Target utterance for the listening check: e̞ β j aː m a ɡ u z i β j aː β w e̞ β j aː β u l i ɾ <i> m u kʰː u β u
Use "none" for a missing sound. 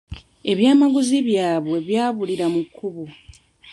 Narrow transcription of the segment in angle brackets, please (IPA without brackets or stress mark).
a